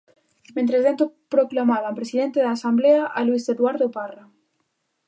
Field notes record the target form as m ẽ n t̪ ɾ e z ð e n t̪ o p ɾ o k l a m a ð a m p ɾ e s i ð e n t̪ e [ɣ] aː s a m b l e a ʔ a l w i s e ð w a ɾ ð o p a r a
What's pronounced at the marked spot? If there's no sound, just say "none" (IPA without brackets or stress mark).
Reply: ð